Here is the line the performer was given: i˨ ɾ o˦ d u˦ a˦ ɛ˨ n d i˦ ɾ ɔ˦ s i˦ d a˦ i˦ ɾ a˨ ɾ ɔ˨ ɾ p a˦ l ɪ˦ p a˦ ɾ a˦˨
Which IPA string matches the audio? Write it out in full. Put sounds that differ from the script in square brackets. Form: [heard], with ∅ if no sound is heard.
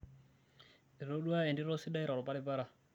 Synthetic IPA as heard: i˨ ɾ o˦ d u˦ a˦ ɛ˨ n d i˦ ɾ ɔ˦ s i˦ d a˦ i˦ ɾ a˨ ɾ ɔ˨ [∅] p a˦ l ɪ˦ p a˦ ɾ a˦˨